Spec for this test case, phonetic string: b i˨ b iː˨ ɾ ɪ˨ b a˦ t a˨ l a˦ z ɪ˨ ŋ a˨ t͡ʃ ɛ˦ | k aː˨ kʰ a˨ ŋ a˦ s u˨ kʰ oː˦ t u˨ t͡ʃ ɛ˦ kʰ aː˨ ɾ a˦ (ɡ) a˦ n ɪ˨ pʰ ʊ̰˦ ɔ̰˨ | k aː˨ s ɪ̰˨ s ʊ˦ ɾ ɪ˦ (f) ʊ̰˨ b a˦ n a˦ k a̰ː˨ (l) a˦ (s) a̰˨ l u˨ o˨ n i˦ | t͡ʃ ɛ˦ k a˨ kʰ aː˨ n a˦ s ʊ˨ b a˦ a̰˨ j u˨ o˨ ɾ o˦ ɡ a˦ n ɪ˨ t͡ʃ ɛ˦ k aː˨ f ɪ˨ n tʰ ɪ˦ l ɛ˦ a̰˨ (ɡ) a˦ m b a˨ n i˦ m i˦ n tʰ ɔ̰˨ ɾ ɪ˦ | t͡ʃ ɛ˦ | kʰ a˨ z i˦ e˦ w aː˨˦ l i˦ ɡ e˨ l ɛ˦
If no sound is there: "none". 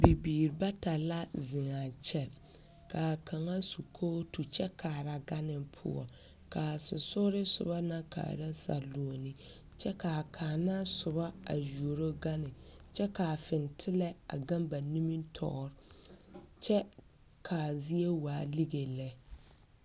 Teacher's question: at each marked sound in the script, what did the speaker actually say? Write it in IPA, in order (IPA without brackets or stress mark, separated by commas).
ɡ, s, ɾ, s, ɡ